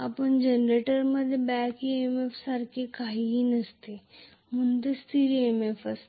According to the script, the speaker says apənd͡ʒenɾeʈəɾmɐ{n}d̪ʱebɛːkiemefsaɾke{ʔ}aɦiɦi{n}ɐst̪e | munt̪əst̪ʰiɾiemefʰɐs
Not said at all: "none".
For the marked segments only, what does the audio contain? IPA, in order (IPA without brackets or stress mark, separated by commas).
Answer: none, k, n